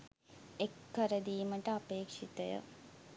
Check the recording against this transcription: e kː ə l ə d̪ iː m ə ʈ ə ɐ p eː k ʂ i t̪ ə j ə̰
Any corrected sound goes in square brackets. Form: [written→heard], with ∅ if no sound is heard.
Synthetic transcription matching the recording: e kː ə [l→ɾ] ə d̪ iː m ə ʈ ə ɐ p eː k ʂ i t̪ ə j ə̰